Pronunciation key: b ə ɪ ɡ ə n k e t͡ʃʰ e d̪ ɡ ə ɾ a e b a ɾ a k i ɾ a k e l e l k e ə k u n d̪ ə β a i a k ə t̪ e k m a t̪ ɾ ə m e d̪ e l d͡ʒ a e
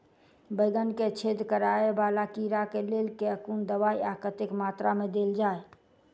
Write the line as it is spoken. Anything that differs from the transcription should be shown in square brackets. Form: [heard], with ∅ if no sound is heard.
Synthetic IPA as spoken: b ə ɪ ɡ ə n k e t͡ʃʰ e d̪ [k] ə ɾ a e b a [l] a k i ɾ a k e l e l k e ə k u n d̪ ə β a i a k ə t̪ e k m a t̪ ɾ [a] m e d̪ e l d͡ʒ a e